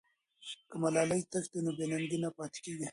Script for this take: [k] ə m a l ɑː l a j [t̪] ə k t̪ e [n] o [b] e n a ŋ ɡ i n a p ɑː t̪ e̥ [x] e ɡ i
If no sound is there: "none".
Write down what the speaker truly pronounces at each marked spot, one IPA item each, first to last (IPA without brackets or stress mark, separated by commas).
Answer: k, t̪, n, b, k